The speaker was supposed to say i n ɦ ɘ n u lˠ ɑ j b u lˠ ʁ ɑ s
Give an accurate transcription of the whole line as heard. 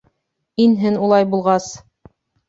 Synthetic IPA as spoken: i n ɦ ɘ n u lˠ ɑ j b u lˠ ʁ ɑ s